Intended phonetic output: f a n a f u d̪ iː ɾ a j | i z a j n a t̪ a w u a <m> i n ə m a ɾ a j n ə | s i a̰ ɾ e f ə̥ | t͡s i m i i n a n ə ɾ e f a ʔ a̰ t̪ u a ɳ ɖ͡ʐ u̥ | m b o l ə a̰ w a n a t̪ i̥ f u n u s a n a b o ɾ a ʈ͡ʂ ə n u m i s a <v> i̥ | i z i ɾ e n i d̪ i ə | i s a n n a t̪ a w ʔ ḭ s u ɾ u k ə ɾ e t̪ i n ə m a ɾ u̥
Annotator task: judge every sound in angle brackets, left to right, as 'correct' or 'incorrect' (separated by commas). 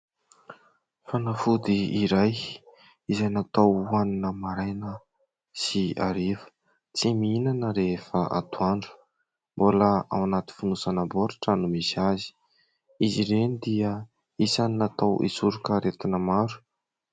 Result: incorrect, incorrect